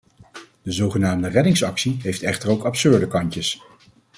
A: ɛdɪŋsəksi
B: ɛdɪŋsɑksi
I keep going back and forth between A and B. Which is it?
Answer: B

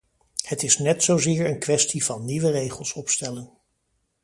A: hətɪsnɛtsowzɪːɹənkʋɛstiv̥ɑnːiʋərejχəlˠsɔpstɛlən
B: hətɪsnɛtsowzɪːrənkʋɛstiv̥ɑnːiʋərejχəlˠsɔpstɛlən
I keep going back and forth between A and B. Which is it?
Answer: A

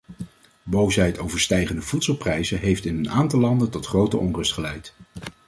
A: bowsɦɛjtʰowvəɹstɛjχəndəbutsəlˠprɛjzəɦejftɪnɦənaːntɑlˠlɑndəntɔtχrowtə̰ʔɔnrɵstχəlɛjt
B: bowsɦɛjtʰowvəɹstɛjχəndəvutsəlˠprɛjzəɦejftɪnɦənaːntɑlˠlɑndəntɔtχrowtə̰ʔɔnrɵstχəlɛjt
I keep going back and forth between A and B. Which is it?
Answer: B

